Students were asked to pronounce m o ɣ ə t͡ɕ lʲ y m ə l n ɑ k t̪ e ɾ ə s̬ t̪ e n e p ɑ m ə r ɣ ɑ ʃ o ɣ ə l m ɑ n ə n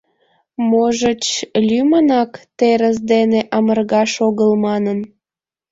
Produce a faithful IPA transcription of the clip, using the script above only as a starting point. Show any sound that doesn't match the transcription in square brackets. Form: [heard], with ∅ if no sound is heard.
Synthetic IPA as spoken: m o [ʒ] ə t͡ɕ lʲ y m ə [∅] n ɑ k t̪ e ɾ ə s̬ [d̪] e n e [ʔ] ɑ m ə r ɣ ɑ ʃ o ɣ ə l m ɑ n ə n